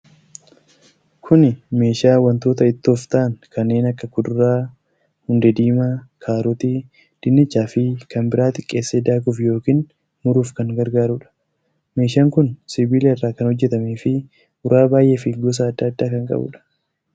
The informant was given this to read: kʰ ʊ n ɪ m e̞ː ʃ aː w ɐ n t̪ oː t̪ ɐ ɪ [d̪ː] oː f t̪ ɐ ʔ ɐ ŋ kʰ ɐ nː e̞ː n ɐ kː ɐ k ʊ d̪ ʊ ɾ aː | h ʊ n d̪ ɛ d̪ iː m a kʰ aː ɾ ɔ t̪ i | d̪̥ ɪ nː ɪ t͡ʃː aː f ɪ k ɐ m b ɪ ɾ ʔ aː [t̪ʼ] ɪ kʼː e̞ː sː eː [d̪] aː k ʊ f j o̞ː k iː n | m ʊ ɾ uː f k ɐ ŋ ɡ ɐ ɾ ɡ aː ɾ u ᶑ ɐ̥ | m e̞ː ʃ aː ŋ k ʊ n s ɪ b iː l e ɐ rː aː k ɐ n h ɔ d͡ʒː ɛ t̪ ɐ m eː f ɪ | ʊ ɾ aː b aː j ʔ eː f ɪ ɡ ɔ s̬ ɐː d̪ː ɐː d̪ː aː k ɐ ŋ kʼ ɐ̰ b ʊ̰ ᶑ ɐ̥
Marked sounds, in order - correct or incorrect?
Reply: incorrect: t̪ː, incorrect: t̪, correct

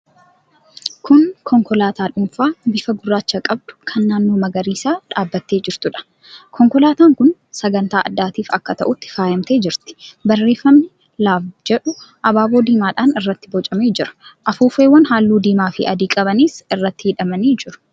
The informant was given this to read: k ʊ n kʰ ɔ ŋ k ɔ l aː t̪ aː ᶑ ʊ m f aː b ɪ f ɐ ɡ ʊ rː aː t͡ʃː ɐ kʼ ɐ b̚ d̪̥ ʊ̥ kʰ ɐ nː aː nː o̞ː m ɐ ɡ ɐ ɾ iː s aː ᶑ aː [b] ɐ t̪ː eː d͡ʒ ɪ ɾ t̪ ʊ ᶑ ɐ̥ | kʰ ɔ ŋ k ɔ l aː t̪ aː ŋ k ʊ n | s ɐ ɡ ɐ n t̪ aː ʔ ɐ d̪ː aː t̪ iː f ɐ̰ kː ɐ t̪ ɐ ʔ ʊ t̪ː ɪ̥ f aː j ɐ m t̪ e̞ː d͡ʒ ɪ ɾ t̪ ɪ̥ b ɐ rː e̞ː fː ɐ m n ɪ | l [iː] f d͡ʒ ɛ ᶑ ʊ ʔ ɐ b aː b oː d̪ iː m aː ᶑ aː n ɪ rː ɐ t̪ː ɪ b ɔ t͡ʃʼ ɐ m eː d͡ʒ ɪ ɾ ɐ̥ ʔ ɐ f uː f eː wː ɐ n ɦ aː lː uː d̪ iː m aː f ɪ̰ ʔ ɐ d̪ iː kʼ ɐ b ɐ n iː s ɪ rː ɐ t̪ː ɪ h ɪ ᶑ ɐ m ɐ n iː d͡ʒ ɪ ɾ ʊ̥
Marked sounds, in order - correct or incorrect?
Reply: incorrect: bː, incorrect: aː

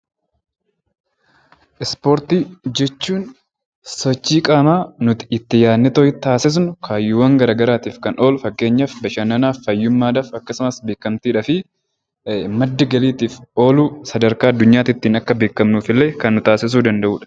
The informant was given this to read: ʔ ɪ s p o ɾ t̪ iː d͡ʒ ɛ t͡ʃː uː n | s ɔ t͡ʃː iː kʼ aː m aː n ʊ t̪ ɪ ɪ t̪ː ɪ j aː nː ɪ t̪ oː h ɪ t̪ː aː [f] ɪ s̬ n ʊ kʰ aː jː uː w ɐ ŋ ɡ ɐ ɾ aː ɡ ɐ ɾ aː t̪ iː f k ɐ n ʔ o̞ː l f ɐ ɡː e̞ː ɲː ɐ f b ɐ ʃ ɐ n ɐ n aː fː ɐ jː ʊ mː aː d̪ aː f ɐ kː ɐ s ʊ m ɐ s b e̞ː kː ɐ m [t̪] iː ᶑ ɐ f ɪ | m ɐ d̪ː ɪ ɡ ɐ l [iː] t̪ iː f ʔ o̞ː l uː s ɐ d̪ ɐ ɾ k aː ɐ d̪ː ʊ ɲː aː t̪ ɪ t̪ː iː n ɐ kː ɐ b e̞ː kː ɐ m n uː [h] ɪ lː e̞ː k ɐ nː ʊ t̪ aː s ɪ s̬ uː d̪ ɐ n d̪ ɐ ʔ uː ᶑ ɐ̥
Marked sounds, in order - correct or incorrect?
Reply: incorrect: s, correct, correct, incorrect: f

